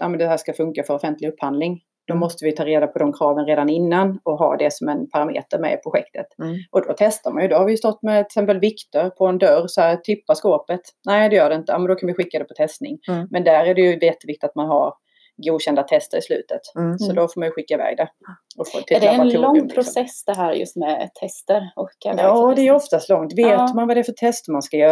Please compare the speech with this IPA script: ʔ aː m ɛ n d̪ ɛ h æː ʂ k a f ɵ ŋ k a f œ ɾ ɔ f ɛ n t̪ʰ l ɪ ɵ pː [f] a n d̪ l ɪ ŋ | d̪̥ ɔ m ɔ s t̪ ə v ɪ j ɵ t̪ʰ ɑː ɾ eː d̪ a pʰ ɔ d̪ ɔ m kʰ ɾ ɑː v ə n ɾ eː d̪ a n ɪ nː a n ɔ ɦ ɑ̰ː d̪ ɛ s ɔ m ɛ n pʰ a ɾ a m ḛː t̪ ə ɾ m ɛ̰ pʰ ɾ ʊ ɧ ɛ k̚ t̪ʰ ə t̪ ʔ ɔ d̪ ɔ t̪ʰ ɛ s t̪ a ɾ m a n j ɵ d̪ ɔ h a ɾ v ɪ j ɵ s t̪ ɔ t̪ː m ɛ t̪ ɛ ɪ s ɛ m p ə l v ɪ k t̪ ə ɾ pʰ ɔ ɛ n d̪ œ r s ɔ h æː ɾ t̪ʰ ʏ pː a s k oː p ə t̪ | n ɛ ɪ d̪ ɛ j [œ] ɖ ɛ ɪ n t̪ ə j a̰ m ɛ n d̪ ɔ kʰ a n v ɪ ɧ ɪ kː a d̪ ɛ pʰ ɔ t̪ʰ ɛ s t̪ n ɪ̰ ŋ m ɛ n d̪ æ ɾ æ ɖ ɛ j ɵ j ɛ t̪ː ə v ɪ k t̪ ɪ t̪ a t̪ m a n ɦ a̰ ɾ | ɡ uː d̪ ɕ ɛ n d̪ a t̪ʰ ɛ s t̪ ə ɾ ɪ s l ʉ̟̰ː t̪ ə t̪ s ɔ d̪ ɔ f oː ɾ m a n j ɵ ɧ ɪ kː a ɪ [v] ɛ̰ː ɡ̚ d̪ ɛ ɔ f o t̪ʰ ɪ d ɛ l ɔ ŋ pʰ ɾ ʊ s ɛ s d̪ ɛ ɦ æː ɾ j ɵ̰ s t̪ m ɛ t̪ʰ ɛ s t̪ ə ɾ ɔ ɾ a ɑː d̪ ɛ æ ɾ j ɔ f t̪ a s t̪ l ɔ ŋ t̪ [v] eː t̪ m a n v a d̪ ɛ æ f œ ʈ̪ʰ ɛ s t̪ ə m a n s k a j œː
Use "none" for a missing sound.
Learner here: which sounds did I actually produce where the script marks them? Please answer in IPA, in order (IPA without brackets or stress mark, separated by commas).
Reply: h, œː, v, v